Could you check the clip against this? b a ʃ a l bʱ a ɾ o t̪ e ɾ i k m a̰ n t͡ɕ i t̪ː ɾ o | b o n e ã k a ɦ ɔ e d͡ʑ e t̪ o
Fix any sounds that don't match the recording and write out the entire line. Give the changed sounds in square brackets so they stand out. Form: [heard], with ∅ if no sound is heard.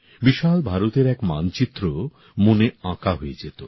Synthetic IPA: b [i] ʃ a l bʱ a ɾ o t̪ e ɾ [ɛ] k m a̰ n t͡ɕ i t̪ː ɾ o | [m] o n e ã k a ɦ [o] e d͡ʑ e t̪ o